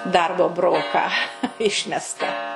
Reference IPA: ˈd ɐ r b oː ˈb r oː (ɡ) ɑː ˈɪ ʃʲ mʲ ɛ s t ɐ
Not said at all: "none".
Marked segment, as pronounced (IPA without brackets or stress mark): k